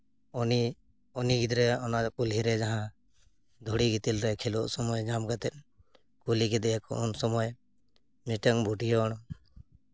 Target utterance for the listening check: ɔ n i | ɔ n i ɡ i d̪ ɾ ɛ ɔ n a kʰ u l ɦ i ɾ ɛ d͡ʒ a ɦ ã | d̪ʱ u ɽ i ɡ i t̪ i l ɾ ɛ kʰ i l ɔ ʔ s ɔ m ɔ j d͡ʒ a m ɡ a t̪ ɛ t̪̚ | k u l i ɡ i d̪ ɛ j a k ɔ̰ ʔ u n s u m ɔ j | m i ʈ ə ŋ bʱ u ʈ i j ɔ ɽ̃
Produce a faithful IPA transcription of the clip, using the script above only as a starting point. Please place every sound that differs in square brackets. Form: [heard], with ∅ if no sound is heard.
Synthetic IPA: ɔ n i | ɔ n i ɡ i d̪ ɾ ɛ ɔ n a [k] u l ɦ i ɾ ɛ d͡ʒ a ɦ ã | d̪ʱ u ɽ i ɡ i t̪ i l ɾ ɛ kʰ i l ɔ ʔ s ɔ m ɔ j d͡ʒ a m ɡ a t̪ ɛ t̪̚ | k u l i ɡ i d̪ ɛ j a k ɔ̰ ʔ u n s [ɔ] m ɔ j | m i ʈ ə ŋ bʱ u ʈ i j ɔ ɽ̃